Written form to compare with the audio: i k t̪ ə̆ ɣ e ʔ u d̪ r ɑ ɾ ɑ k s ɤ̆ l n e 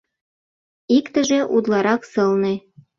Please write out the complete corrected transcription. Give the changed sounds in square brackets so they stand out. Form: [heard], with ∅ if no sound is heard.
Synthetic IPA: i k t̪ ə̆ [ʒ] e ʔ u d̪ [l] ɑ ɾ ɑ k s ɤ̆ l n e